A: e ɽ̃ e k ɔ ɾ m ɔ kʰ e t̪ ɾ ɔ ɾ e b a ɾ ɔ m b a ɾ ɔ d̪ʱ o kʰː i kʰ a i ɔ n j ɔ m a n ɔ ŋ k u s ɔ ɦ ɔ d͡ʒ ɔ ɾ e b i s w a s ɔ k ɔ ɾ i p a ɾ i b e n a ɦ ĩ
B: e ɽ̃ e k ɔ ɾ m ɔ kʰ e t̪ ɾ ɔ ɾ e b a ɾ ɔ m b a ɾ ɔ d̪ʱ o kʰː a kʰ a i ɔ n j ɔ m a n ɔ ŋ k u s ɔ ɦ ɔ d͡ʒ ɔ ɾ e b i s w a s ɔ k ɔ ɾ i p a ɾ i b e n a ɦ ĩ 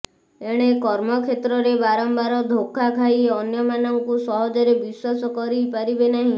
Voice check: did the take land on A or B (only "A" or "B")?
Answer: B